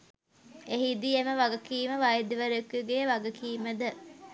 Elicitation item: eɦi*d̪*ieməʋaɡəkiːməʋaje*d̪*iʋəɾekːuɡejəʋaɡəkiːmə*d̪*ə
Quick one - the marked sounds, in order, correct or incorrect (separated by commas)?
correct, correct, correct